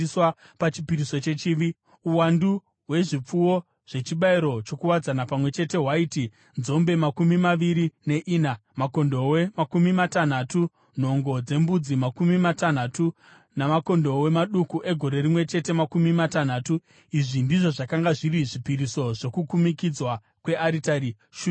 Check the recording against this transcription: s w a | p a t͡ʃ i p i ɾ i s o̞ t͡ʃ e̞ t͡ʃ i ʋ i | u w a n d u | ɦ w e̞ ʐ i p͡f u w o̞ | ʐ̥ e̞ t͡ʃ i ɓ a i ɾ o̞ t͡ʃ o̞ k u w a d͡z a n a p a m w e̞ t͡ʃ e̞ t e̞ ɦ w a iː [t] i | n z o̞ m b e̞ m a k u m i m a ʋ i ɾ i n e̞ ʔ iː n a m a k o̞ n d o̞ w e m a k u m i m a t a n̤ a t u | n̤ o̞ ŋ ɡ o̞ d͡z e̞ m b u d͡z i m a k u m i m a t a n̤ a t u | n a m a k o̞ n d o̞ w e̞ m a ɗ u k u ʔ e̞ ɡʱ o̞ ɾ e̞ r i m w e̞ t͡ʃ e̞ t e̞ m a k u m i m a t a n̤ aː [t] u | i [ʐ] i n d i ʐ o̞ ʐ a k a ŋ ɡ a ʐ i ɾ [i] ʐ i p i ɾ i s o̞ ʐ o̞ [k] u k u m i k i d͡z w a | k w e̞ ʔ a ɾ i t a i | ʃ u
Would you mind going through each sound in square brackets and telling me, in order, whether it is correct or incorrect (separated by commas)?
correct, correct, correct, correct, correct